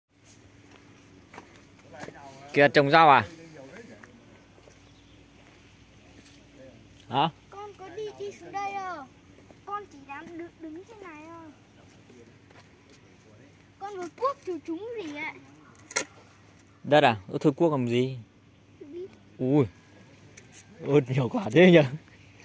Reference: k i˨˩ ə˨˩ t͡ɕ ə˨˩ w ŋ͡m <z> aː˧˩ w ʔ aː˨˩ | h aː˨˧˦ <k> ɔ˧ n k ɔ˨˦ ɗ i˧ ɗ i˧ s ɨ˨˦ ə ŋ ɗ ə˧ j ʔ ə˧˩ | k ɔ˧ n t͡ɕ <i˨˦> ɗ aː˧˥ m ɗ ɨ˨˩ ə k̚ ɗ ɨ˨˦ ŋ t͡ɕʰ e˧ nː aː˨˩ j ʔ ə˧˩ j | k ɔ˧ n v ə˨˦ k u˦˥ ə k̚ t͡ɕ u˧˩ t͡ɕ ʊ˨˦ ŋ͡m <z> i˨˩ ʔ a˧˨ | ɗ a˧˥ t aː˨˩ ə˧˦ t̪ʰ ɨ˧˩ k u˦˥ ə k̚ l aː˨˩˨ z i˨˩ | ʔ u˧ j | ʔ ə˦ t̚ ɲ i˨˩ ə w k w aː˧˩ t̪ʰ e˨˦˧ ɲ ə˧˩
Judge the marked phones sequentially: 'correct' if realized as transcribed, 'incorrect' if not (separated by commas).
correct, correct, incorrect, correct